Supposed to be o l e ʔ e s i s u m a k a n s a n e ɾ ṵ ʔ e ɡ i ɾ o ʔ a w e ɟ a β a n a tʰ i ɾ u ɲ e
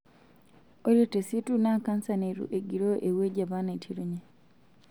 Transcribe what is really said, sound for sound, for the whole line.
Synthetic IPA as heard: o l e t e s i t u n a k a n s a n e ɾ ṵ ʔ e ɡ i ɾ o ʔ e w e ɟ a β a n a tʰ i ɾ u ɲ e